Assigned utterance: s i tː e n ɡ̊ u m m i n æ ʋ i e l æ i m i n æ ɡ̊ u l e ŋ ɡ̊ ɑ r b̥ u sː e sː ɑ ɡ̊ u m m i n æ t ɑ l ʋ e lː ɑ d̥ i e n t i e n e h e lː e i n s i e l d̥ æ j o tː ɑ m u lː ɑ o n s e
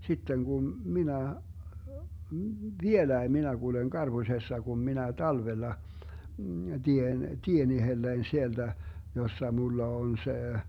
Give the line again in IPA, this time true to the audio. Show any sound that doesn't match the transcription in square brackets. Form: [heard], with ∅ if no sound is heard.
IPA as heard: s i tː e n ɡ̊ u m m i n æ ʋ i e l æ i m i n æ ɡ̊ u l e ŋ ɡ̊ ɑ r b̥ u [s] e sː ɑ ɡ̊ u m m i n æ t ɑ l ʋ e lː ɑ d̥ i e n t i e n [i] h e lː e i n s i e l d̥ æ j o [sː] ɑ m u lː ɑ o n s e

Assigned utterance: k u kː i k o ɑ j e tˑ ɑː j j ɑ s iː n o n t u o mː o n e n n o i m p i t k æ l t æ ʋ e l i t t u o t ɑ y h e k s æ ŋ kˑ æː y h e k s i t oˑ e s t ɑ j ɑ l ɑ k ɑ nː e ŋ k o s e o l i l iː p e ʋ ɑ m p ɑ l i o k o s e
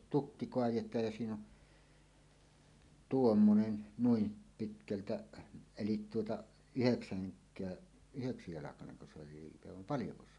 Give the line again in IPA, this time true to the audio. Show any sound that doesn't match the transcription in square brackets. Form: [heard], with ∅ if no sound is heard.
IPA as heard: [t] u kː i k o ɑ j e tˑ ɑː j j ɑ s iː n o n t u o mː o n e n n [u] i m p i t k æ l t æ [∅] e l i t t u o t ɑ y h e k s æ ŋ kˑ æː y h e k s i t oˑ e s t ɑ j ɑ l ɑ k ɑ [n] e ŋ k o s e o l i l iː p e ʋ ɑ m p ɑ l [j] o k o s e

